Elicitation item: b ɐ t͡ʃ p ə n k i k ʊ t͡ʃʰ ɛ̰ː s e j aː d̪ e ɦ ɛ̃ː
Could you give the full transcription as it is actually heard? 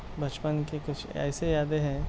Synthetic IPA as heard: b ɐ t͡ʃ p ə n k e k ʊ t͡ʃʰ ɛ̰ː s e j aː d̪ e ɦ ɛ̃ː